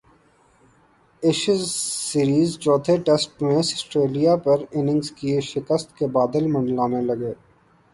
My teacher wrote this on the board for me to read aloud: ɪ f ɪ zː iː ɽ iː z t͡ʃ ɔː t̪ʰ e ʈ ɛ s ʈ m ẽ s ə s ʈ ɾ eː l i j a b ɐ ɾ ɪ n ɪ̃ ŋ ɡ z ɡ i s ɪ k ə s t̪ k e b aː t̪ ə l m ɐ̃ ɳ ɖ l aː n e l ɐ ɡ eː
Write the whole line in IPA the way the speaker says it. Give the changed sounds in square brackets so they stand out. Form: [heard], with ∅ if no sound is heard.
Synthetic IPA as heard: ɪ [ʃ] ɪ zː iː [ɾ] iː z t͡ʃ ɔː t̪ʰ e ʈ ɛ s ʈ m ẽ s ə s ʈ ɾ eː l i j a [p] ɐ ɾ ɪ n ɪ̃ ŋ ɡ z [k] i [ʃ] ɪ k ə s t̪ k e b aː [d̪] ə l m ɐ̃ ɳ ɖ l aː n e l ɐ ɡ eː